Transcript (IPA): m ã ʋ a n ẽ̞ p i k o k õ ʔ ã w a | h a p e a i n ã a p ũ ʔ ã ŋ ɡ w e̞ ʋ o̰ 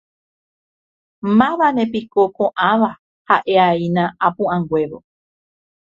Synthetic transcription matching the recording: m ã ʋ a n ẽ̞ p i k o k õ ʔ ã ʋ a | h a ʔ e a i n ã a p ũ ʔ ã ŋ ɡ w e̞ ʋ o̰